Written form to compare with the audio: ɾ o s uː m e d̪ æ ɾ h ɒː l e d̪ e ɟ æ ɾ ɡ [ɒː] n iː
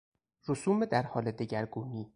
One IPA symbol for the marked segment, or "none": uː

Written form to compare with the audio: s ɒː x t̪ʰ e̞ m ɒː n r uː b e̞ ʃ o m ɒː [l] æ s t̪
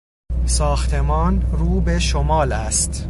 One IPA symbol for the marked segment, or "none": l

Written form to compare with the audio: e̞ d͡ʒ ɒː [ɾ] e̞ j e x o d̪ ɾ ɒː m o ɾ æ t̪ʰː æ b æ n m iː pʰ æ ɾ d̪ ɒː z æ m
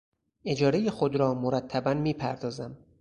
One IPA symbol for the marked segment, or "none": ɾ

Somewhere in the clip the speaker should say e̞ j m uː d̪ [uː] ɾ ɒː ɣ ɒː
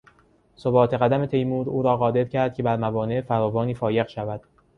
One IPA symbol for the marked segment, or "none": uː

